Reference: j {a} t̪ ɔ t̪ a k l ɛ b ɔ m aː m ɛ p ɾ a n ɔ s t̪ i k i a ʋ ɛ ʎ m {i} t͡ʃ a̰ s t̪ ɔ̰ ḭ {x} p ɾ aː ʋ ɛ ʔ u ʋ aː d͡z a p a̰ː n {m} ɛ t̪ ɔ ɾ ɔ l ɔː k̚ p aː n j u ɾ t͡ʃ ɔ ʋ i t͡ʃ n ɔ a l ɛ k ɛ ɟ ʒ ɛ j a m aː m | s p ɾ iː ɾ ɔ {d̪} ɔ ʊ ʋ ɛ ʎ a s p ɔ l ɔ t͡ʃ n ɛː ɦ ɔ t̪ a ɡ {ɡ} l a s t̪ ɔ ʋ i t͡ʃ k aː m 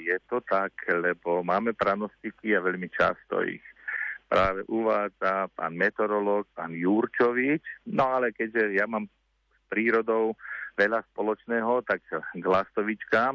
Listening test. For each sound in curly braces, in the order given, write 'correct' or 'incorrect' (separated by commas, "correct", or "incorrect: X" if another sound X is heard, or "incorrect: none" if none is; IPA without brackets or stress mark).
incorrect: ɛ, correct, correct, correct, correct, correct